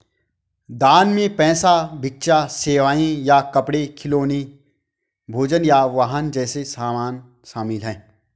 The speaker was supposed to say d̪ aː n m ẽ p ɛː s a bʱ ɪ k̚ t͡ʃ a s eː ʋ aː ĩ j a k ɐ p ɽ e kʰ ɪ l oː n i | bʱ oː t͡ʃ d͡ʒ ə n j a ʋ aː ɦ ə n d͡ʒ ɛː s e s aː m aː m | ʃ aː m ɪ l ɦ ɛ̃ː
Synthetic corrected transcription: d̪ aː n m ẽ p ɛː s a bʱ ɪ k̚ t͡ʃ a s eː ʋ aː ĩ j a k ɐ p ɽ e kʰ ɪ l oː n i | bʱ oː d͡ʒ ə n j a ʋ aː ɦ ə n d͡ʒ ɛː s e s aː m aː n | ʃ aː m ɪ l ɦ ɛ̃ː

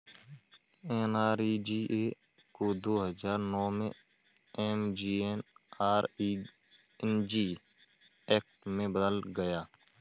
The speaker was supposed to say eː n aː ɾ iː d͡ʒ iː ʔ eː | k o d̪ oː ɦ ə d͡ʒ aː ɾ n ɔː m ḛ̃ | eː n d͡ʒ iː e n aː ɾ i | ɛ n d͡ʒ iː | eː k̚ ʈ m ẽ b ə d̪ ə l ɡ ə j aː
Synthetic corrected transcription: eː n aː ɾ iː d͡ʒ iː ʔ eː | k o d̪ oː ɦ ə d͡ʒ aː ɾ n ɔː m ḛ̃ | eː m d͡ʒ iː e n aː ɾ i | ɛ n d͡ʒ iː | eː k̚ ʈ m ẽ b ə d̪ ə l ɡ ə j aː

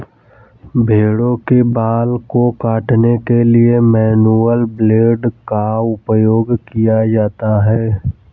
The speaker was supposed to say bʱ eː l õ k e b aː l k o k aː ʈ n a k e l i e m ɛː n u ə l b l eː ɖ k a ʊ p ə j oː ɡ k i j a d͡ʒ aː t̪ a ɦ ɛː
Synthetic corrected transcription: bʱ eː ɽ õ k e b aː l k o k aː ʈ n e k e l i e m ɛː n u ə l b l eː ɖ k a ʊ p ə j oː ɡ k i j a d͡ʒ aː t̪ a ɦ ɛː

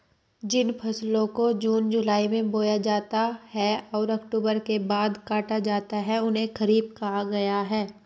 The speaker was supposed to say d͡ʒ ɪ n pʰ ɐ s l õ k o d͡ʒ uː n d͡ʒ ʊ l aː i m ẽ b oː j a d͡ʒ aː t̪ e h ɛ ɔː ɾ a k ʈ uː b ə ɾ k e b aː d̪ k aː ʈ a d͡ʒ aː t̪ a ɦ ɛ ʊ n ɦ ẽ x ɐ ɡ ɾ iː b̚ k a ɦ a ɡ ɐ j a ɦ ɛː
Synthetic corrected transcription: d͡ʒ ɪ n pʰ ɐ s l õ k o d͡ʒ uː n d͡ʒ ʊ l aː i m ẽ b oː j a d͡ʒ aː t̪ a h ɛ ɔː ɾ ɐ k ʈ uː b ə ɾ k e b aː d̪ k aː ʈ a d͡ʒ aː t̪ a ɦ ɛ ʊ n ɦ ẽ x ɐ ɾ iː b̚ k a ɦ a ɡ ɐ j a ɦ ɛː

